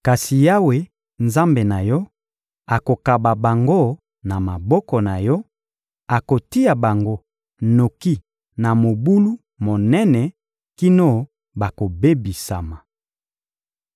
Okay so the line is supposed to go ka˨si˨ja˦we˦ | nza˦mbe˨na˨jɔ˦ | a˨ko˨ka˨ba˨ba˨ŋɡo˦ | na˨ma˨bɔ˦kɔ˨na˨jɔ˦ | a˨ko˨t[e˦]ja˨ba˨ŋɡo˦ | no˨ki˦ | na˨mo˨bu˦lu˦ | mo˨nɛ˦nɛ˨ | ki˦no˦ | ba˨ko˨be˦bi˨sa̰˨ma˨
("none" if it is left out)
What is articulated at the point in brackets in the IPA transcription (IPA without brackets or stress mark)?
i˦